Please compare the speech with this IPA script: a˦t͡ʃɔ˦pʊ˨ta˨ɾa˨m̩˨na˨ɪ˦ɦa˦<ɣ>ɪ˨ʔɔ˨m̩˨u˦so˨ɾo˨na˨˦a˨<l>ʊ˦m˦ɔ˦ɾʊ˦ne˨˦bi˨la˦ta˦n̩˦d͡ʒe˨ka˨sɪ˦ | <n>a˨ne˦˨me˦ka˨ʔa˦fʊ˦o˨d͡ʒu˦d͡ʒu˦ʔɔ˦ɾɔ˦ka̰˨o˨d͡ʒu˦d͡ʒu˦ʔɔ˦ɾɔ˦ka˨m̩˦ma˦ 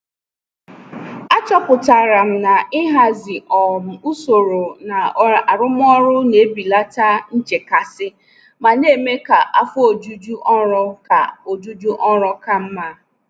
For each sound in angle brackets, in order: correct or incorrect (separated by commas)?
incorrect, incorrect, incorrect